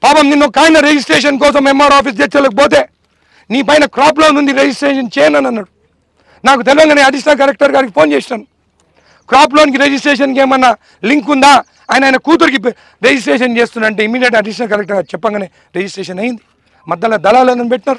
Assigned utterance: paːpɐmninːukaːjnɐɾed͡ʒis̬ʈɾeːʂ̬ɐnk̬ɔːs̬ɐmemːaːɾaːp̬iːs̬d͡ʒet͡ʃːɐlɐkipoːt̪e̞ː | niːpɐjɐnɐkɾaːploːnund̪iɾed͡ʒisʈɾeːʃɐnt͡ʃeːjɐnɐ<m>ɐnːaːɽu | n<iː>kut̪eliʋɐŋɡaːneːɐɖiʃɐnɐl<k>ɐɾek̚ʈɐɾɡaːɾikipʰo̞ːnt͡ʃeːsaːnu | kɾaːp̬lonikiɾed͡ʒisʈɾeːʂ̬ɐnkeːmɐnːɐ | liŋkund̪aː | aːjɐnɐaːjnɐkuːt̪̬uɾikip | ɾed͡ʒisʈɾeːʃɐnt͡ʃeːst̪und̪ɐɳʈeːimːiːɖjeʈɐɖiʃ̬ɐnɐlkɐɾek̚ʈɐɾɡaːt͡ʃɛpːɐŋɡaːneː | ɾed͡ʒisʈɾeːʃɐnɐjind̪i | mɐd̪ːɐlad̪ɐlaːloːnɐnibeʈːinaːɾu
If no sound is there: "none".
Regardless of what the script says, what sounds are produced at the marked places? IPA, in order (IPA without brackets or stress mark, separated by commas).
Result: n, aː, k